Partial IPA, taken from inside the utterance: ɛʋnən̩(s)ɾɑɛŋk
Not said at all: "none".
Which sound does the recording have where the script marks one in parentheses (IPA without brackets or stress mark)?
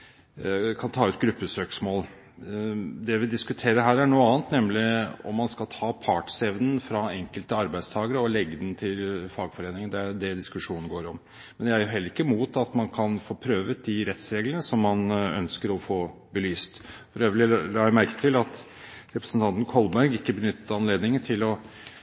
f